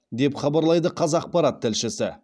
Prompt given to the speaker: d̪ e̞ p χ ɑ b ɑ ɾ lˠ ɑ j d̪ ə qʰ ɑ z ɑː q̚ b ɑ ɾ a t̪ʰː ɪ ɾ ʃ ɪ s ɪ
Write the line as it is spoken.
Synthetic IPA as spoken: d̪ e̞ p χ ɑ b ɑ ɾ lˠ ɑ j d̪ ə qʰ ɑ z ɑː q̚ p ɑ ɾ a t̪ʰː ɪ l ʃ ɪ s ɪ